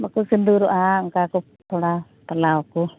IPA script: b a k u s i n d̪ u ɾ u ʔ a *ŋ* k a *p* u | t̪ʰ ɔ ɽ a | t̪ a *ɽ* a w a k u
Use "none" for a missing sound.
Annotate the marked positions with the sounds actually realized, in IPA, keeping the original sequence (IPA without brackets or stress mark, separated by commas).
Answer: ŋ, k, l